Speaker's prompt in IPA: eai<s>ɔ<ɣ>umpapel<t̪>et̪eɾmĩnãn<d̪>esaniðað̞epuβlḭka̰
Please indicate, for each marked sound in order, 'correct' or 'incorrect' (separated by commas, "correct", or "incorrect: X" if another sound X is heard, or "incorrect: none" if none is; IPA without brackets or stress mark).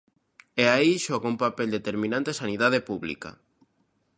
incorrect: ʃ, correct, incorrect: d̪, incorrect: t̪